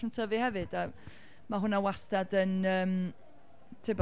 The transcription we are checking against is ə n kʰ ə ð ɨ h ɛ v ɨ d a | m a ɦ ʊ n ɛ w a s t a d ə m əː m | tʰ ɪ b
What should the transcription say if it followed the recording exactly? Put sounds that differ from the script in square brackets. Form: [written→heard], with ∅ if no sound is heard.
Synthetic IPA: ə n [kʰ→tʰ] ə [ð→v] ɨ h ɛ v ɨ d a | m a ɦ ʊ n [ɛ→a] w a s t a d ə [m→n] əː m | tʰ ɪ b